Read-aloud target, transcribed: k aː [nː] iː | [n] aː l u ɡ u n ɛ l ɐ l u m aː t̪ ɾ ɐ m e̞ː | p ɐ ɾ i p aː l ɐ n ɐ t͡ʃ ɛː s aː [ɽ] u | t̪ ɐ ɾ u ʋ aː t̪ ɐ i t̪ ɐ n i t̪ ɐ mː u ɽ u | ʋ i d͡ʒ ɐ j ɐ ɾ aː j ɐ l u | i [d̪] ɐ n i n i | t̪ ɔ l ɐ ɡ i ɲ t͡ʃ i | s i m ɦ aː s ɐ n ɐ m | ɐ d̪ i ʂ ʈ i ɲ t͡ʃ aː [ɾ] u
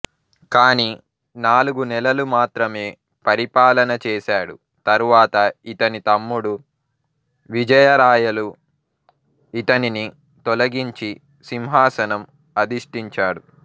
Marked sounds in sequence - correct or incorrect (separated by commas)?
incorrect, correct, correct, incorrect, incorrect